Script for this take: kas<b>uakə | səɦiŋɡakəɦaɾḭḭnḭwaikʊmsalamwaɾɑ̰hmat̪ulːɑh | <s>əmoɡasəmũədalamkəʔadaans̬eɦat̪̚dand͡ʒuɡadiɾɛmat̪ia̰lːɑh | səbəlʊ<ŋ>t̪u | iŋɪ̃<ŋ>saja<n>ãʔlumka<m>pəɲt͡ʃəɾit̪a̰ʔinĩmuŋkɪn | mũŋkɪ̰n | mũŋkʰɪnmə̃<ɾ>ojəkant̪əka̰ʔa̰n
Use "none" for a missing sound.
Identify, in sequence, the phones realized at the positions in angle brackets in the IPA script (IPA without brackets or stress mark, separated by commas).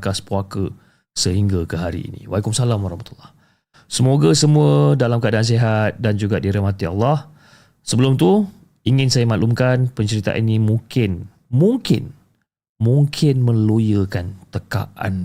p, s, m, n, m, n, l